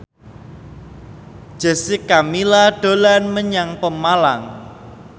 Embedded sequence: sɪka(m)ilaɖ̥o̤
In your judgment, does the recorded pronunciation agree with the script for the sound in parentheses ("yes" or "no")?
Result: yes